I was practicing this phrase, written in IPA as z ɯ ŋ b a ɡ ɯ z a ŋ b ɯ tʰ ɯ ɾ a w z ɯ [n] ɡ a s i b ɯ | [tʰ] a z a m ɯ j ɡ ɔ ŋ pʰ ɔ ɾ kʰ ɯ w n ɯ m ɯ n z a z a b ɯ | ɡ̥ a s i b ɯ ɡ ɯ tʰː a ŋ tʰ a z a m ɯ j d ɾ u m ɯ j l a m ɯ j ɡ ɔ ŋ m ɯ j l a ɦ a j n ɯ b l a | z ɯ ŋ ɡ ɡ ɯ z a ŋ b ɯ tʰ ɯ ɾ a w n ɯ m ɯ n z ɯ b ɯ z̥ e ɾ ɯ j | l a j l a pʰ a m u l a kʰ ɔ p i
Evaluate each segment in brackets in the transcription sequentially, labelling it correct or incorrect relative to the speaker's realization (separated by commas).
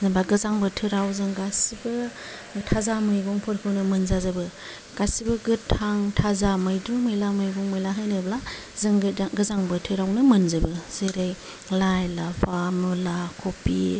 incorrect, correct